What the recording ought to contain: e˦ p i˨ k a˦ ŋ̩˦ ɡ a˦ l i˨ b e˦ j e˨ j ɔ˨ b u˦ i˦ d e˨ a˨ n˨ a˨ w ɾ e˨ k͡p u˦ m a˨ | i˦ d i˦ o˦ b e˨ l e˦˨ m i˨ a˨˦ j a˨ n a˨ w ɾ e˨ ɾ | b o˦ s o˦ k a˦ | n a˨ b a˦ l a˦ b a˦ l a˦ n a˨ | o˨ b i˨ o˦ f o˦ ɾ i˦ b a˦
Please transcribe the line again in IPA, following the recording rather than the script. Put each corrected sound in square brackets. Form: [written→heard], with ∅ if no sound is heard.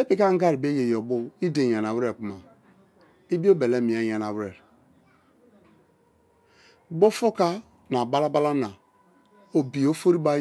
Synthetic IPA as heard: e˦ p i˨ k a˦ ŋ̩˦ ɡ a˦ [l→ɾ] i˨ b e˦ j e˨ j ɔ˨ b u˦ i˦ d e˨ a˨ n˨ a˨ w ɾ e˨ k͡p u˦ m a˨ | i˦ [d→b] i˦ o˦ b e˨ l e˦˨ m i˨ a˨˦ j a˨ n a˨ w ɾ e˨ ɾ | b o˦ [s→f] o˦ k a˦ | n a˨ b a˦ l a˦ b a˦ l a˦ n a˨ | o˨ b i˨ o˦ f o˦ ɾ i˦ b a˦